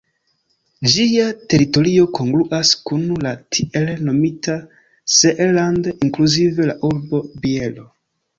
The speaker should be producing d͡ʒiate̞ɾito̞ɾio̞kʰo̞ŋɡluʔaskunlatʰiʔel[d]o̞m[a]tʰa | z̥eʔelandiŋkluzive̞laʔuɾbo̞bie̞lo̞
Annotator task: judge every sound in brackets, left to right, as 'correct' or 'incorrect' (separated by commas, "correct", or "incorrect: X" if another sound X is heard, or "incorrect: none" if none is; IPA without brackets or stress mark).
incorrect: n, incorrect: i